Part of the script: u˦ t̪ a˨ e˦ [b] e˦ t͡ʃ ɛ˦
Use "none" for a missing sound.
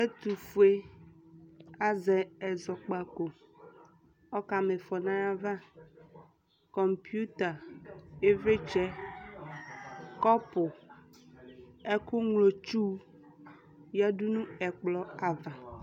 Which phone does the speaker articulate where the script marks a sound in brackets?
v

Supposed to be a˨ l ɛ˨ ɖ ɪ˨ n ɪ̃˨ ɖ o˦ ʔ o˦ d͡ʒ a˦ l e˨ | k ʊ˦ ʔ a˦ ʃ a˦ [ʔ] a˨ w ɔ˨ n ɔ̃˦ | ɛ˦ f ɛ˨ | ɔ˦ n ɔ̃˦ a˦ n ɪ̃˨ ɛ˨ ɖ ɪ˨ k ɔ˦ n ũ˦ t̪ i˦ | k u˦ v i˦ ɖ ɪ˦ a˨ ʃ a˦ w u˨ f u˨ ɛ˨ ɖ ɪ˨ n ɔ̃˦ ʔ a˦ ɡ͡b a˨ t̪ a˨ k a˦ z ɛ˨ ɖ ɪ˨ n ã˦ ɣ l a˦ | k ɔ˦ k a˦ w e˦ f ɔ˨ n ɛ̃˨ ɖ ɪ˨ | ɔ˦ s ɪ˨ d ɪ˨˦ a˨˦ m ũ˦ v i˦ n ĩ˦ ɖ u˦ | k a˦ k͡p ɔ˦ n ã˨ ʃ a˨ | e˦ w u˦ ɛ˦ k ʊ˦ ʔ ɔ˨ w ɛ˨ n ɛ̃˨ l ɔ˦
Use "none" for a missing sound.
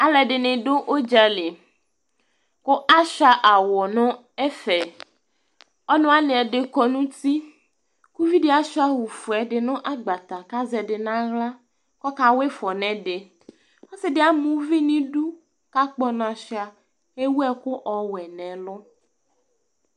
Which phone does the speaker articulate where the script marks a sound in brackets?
ʔ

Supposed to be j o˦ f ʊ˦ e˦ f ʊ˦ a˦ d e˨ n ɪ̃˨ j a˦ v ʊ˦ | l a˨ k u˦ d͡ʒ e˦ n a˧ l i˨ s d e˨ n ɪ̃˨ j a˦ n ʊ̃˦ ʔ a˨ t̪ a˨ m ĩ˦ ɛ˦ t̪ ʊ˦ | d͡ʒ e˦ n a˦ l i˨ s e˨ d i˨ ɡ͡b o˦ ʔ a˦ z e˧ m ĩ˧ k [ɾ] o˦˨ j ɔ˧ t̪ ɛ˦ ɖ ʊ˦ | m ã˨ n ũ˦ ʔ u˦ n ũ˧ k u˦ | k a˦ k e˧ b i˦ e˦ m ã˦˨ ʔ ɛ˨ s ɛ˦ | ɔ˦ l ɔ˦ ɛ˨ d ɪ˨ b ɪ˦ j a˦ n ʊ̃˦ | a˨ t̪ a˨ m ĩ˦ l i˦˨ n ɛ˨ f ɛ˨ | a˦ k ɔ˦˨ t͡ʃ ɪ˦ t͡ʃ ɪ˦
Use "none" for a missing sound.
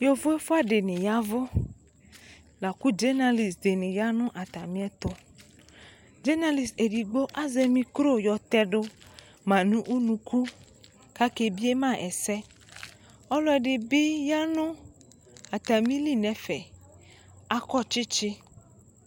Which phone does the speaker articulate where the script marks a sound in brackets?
ɾ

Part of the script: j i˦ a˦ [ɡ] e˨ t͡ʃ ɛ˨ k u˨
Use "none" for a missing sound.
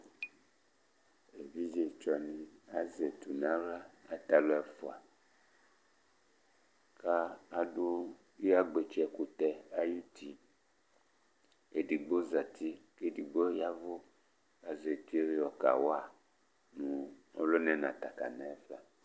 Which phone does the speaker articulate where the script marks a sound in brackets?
ɡ͡b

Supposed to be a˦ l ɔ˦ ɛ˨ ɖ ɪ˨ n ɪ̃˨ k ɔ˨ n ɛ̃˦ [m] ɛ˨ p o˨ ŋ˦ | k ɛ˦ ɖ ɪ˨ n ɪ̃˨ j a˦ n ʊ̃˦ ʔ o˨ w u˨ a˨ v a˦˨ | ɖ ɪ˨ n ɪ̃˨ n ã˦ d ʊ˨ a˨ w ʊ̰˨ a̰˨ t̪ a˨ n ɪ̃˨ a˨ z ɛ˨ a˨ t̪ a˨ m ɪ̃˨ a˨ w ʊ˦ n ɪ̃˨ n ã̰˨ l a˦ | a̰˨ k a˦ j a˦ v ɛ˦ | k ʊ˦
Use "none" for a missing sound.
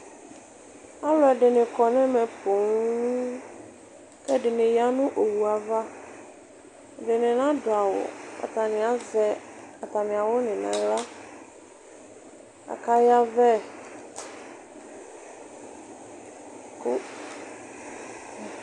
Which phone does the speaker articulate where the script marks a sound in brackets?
m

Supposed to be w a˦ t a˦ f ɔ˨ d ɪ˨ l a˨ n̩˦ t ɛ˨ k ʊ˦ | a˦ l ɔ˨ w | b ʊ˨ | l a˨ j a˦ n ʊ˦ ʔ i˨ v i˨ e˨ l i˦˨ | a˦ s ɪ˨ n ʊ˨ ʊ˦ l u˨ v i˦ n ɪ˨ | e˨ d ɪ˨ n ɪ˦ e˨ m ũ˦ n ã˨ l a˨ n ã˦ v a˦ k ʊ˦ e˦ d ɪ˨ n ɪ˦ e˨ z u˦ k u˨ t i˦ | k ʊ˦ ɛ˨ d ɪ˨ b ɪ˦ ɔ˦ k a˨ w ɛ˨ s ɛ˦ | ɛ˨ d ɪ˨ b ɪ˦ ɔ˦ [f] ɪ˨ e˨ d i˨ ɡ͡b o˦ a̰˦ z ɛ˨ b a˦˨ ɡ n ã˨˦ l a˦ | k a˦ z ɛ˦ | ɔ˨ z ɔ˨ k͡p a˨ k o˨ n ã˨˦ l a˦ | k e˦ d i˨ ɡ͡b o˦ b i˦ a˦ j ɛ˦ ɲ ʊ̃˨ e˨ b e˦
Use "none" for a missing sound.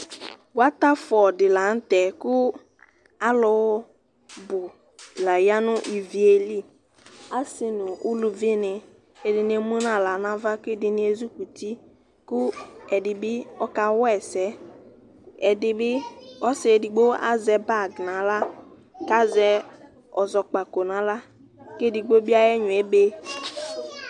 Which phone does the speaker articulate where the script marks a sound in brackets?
s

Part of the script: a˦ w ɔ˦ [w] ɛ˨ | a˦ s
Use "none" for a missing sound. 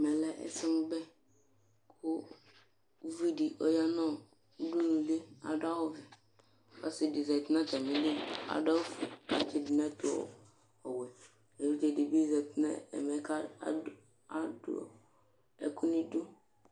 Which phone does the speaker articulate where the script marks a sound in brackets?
v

